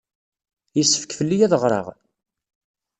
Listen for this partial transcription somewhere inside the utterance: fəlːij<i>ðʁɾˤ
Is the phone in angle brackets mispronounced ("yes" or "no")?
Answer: yes